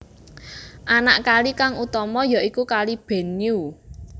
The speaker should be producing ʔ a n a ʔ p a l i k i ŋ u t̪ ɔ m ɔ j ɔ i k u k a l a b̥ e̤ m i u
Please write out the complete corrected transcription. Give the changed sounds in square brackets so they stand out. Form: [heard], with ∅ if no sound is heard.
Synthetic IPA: ʔ a n a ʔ [k] a l i k [a] ŋ u t̪ ɔ m ɔ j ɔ i k u k a l [i] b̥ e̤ [n] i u